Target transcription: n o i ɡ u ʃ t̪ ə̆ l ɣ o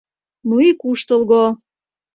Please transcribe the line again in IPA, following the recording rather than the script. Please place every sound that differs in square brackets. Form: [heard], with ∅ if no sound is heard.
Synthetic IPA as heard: n [u] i [k] u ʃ t̪ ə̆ l ɣ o